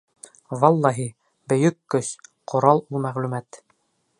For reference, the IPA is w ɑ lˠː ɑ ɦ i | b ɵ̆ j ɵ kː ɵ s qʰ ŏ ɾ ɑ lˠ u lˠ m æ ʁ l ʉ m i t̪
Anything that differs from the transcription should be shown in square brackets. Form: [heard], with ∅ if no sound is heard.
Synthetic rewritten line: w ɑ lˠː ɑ ɦ i | b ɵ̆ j ɵ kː ɵ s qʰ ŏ ɾ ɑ lˠ u lˠ m æ ʁ l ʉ m [æ] t̪